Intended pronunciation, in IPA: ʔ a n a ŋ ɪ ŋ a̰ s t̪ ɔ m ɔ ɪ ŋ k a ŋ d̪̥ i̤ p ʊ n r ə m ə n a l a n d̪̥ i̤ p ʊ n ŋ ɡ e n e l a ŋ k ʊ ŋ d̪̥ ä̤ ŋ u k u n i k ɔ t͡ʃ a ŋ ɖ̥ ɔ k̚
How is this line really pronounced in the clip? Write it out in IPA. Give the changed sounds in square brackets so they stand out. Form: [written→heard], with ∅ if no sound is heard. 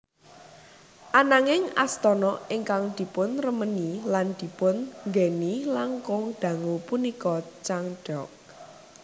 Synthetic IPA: ʔ a n a ŋ ɪ ŋ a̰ s t̪ ɔ [m→n] ɔ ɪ ŋ k a ŋ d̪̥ i̤ p ʊ n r ə m ə n [a→i] l a n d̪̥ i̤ p ʊ n ŋ ɡ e n [e→i] l a ŋ k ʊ ŋ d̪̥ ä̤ ŋ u [k→p] u n i k ɔ t͡ʃ a ŋ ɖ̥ ɔ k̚